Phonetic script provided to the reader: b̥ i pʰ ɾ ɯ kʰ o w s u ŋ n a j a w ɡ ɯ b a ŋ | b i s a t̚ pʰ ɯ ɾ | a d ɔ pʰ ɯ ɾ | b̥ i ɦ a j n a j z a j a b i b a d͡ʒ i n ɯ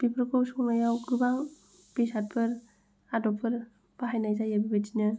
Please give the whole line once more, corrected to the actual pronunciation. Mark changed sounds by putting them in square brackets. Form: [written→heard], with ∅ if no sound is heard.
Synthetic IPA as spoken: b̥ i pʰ ɾ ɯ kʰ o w s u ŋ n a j a w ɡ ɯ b a ŋ | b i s a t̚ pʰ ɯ ɾ | a d ɔ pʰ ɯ ɾ | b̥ [i→a] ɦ a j n a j z a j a b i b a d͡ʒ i n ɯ